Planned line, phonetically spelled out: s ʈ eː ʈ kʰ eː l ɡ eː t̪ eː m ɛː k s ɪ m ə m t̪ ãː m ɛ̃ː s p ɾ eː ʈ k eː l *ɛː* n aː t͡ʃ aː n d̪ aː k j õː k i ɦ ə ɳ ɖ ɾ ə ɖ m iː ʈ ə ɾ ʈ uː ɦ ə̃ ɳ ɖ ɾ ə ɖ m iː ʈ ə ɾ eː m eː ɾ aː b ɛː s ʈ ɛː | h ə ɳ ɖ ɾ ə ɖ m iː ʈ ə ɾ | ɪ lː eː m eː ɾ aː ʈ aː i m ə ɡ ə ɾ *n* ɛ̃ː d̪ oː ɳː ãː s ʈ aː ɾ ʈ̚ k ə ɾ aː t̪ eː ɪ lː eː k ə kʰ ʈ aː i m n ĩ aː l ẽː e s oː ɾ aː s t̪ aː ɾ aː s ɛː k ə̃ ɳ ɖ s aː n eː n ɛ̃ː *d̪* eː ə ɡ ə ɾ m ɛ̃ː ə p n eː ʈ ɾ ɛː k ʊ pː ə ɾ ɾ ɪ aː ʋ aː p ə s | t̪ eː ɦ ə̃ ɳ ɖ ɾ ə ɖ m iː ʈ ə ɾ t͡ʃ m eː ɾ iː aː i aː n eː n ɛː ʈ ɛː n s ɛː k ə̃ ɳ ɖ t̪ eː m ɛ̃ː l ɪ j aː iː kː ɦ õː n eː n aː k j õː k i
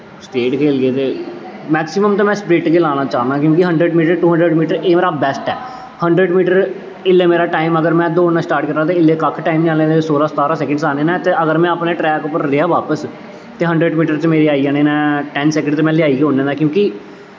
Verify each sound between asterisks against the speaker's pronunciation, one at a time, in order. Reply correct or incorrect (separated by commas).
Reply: incorrect, incorrect, incorrect